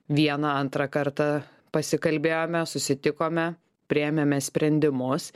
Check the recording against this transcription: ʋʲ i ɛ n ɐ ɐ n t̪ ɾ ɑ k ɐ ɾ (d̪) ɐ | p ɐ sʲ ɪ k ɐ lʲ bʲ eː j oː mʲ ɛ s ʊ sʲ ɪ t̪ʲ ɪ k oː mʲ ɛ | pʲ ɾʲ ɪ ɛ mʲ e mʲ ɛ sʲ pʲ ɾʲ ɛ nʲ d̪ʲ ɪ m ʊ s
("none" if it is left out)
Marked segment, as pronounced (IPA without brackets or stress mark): t̪